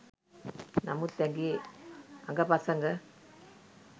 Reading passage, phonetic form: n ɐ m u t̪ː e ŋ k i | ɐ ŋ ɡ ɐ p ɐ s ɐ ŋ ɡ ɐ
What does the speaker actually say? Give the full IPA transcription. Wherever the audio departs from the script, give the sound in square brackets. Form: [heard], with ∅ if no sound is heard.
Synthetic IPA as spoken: n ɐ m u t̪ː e ŋ [ɡ] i | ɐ ŋ ɡ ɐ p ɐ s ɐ ŋ ɡ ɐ